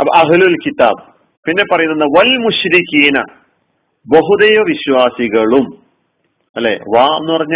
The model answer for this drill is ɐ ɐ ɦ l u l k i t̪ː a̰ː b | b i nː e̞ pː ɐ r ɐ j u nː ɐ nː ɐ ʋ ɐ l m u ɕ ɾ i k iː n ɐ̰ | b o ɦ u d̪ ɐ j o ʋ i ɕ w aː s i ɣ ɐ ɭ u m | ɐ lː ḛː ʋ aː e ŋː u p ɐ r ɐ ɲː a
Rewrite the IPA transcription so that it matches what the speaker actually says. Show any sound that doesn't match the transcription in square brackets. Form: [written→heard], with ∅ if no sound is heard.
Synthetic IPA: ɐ ɐ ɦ l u l k i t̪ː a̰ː b | [b→p] i nː e̞ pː ɐ r ɐ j u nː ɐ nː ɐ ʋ ɐ l m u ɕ ɾ i k iː n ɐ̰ | b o ɦ u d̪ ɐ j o ʋ i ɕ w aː s i ɣ ɐ ɭ u m | ɐ lː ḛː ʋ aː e [ŋː→nː] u p ɐ r ɐ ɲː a